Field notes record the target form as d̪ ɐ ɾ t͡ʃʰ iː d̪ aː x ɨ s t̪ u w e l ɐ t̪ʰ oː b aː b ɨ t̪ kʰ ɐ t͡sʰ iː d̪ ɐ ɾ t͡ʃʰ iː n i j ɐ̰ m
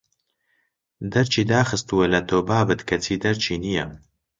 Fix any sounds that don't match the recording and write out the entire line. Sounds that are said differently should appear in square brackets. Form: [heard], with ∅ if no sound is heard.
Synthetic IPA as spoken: d̪ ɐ ɾ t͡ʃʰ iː d̪ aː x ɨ s t̪ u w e l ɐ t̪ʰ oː b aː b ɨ t̪ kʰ ɐ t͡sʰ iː d̪ ɐ ɾ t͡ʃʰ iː n i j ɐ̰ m